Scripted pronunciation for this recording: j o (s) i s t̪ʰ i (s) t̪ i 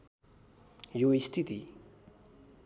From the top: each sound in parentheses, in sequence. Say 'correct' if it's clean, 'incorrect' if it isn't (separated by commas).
incorrect, incorrect